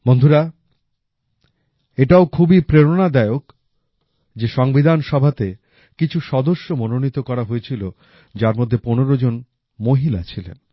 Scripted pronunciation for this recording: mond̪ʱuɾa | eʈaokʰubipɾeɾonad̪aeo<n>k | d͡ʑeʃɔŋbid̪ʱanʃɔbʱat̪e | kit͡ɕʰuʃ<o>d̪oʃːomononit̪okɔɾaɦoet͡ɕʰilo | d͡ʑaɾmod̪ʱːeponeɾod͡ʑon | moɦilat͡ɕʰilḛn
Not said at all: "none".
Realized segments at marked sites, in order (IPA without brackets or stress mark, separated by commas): none, ɔ